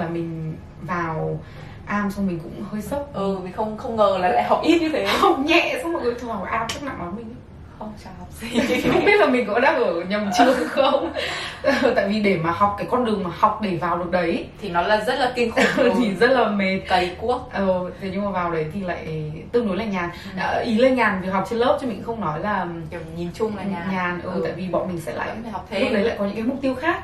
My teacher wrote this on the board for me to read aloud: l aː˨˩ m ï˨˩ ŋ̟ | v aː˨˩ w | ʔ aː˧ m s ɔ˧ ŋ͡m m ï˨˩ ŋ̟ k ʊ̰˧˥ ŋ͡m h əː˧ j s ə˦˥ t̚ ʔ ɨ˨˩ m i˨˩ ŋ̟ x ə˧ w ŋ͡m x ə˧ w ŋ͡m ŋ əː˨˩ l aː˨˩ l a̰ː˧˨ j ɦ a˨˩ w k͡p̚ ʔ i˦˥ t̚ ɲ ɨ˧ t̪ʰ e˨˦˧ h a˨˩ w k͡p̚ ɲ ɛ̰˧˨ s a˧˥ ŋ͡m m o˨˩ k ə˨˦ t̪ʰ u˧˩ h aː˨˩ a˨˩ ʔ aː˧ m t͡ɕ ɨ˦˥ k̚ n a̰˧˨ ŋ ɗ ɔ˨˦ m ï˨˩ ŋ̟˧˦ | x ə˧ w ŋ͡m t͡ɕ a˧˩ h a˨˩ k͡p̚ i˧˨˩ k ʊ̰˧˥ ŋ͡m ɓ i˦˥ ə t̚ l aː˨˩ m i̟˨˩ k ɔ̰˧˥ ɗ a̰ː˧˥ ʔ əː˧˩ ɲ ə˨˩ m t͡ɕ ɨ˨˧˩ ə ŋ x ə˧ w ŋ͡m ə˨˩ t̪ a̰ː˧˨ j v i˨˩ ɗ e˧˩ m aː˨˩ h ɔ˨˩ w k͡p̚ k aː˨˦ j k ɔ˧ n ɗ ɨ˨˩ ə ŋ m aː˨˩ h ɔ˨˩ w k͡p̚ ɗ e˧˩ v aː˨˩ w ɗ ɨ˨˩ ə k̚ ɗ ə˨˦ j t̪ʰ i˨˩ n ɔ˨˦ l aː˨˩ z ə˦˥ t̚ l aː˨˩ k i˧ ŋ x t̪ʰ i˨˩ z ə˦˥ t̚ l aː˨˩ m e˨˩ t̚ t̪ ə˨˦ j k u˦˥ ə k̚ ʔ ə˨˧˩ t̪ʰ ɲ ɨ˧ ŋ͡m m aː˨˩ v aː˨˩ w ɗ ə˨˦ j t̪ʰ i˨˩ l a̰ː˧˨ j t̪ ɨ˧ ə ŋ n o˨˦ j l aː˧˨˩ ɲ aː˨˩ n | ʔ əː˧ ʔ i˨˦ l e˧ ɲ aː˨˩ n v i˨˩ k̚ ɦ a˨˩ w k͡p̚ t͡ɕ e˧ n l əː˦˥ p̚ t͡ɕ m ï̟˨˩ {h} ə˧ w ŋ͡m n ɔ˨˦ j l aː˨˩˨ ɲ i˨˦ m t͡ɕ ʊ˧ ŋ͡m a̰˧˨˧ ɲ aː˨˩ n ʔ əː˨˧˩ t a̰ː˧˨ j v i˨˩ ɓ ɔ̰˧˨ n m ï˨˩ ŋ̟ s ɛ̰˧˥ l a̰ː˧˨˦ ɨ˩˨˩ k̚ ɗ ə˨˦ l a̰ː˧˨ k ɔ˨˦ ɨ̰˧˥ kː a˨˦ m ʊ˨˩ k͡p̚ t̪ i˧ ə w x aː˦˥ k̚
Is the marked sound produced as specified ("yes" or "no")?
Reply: no